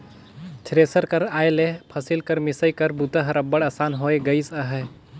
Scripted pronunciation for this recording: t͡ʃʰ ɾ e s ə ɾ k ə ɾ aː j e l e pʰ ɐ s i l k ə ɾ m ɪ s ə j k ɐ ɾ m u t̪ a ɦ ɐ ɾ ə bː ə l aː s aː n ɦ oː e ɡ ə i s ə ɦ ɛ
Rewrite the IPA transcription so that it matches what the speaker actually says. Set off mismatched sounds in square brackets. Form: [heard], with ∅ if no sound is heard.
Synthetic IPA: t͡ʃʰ ɾ e s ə ɾ k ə ɾ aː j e l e pʰ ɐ s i l k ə ɾ m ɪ s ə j k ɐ ɾ [b] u t̪ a ɦ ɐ ɾ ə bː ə [ɽ] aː s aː n ɦ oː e ɡ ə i s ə ɦ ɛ